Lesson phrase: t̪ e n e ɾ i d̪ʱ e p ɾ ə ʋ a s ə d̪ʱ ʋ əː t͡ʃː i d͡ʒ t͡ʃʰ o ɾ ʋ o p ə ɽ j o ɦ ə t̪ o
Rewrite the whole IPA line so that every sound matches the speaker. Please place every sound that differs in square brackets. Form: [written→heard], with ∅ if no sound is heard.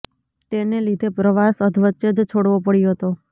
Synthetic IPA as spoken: t̪ e n e [ɾ→l] i d̪ʱ e p ɾ ə ʋ a s ə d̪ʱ ʋ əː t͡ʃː [i→e] d͡ʒ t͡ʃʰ o [ɾ→ɽ] ʋ o p ə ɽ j o ɦ ə t̪ o